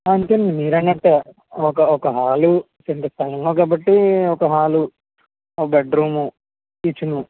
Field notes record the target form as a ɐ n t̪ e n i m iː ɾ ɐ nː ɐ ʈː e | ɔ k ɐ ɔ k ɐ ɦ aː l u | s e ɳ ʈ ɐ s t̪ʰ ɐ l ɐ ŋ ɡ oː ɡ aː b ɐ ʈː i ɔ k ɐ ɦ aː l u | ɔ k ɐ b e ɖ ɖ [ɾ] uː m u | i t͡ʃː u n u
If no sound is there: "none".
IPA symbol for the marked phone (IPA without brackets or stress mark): ɾ